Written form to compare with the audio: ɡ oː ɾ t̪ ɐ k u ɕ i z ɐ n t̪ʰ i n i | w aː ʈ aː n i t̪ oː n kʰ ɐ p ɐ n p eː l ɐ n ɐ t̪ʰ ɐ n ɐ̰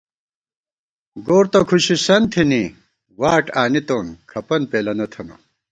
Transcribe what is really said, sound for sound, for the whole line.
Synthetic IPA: ɡ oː ɾ t̪ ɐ kʰ u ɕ i s ɐ n t̪ʰ i n i | w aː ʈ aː n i t̪ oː n kʰ ɐ p ɐ n p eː l ɐ n ɐ t̪ʰ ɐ n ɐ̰